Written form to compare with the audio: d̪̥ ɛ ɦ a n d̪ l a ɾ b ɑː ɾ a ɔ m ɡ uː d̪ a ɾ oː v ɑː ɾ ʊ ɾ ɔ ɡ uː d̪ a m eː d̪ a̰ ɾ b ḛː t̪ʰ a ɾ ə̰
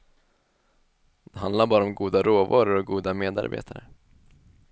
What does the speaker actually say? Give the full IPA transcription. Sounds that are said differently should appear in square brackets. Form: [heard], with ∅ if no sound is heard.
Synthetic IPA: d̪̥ ɛ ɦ a n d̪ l a ɾ b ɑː ɾ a ɔ m ɡ uː d̪ a ɾ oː v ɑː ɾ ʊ ɾ ɔ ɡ uː d̪ a m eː d̪ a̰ ɾ b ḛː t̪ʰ a ɾ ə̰